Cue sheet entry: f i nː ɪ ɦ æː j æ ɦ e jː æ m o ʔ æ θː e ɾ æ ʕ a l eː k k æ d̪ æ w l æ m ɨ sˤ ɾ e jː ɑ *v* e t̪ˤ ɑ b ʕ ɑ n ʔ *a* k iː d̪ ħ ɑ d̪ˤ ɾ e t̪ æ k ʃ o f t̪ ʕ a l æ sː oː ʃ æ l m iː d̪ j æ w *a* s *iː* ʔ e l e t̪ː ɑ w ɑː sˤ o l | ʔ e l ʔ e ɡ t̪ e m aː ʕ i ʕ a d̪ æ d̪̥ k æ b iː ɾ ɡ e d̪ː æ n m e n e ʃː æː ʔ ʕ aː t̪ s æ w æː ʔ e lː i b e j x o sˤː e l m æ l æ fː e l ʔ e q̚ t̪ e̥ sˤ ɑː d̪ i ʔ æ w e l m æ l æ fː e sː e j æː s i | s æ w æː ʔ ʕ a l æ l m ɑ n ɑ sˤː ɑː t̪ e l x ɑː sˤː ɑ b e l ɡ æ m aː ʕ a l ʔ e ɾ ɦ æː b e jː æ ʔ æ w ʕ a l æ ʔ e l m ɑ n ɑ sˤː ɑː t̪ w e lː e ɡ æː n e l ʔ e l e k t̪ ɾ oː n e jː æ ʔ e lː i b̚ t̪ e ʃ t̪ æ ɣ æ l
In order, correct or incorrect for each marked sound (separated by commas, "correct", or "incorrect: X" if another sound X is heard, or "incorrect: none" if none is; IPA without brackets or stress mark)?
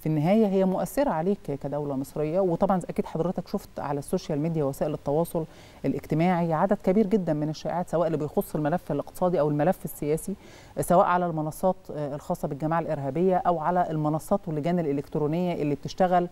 incorrect: w, incorrect: æ, incorrect: æ, incorrect: æː